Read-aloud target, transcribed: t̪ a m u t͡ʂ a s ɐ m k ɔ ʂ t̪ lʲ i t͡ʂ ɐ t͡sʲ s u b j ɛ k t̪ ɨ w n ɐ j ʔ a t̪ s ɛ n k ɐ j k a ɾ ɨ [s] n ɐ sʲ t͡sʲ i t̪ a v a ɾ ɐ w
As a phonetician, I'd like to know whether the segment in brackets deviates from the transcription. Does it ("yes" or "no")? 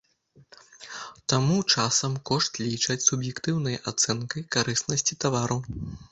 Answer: no